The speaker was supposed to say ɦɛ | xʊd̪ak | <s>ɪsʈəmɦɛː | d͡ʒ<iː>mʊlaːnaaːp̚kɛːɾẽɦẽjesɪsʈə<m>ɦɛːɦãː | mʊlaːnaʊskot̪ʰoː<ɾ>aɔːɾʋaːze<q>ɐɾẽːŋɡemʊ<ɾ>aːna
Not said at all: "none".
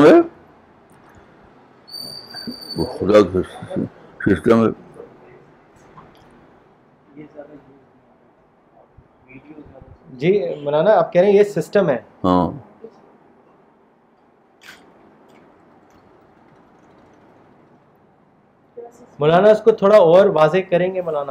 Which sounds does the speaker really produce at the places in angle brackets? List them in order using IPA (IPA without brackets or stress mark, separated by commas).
s, iː, m, ɽ, k, l